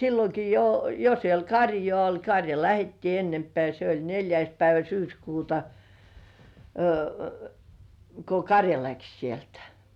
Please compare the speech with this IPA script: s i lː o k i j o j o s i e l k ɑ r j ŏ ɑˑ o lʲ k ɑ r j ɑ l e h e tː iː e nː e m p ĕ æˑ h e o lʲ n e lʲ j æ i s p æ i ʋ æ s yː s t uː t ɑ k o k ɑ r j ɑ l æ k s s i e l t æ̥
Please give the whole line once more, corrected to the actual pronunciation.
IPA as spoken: s i lː o k i j o j o s i e l k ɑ r j ŏ ɑˑ o lʲ k ɑ r j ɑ l æ h e tː iː e nː e m p ĕ æˑ s e o lʲ n e lʲ j æ i s p æ i ʋ æ s yː s k uː t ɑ k o k ɑ r j ɑ l æ k s s i e l t æ̥